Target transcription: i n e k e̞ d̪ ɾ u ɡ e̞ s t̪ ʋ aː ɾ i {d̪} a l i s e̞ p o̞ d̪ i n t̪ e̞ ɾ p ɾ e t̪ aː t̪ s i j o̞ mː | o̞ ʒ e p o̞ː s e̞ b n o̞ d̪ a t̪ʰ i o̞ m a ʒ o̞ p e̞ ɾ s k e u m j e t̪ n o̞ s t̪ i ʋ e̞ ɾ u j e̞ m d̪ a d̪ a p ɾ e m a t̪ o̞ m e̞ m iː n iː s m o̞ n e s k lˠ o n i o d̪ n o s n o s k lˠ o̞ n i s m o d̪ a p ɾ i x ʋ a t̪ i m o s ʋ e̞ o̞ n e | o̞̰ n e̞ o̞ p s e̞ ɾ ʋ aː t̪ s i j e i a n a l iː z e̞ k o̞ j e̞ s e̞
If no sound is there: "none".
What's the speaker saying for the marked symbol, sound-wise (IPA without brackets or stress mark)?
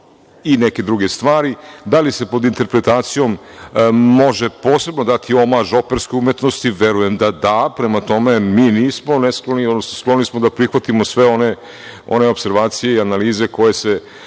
d̪